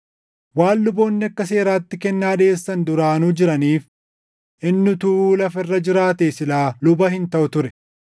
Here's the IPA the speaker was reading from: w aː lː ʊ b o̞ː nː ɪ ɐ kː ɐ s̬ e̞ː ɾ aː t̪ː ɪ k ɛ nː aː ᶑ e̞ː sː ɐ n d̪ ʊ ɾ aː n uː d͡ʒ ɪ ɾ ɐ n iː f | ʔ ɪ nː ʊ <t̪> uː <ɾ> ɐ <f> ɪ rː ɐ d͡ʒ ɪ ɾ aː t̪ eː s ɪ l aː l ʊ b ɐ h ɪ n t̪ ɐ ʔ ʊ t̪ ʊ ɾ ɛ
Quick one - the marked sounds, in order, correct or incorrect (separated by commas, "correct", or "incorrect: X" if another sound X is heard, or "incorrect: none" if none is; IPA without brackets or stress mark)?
correct, incorrect: l, correct